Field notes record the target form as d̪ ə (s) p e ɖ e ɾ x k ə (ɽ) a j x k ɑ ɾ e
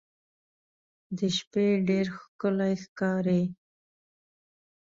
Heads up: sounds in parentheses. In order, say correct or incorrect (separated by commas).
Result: incorrect, incorrect